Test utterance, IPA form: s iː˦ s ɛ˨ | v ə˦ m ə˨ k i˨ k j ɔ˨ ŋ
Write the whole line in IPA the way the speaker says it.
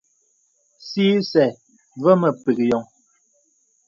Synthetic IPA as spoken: s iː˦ s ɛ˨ | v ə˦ m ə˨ p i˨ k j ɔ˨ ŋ